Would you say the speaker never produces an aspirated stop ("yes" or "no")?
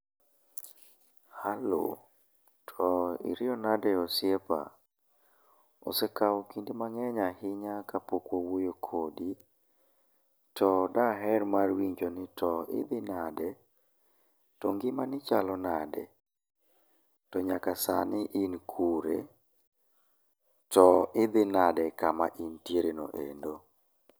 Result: no